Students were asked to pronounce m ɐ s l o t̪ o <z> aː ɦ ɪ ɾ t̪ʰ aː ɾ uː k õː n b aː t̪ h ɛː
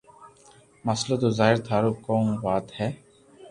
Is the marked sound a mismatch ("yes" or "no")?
no